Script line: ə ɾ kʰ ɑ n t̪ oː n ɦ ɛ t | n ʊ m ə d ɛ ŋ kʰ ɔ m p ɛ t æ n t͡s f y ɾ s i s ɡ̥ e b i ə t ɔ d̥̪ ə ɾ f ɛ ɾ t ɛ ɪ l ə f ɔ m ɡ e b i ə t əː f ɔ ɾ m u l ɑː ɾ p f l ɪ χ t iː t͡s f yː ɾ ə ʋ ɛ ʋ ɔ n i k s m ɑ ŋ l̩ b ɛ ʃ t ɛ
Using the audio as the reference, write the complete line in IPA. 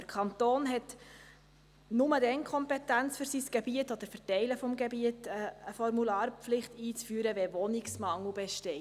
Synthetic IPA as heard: ə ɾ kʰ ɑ n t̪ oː n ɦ ɛ t | n ʊ m ə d ɛ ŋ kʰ ɔ m p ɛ t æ n t͡s f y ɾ s i s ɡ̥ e b i ə t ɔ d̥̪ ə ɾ f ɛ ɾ t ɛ ɪ l ə f ɔ m ɡ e b i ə t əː f ɔ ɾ m u l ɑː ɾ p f l ɪ χ t iː t͡s f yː ɾ ə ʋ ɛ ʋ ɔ n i k s m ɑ ŋ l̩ b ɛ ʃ t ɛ